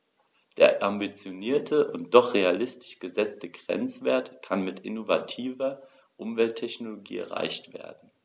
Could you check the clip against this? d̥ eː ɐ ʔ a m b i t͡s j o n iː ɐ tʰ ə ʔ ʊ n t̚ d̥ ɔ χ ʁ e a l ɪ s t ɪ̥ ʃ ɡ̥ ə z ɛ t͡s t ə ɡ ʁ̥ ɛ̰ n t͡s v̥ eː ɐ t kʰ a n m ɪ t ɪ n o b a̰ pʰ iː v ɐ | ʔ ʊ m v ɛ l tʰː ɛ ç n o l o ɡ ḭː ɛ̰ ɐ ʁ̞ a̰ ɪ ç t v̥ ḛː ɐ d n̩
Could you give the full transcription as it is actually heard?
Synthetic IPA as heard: d̥ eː ɐ ʔ a m b i t͡s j o n iː ɐ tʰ ə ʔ ʊ n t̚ d̥ ɔ χ ʁ e a l ɪ s t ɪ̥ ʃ ɡ̥ ə z ɛ t͡s t ə ɡ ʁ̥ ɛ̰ n t͡s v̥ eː ɐ t kʰ a n m ɪ t ɪ n o v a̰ tʰ iː v ɐ | ʔ ʊ m v ɛ l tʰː ɛ ç n o l o ɡ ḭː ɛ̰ ɐ ʁ̞ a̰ ɪ ç t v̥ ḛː ɐ d n̩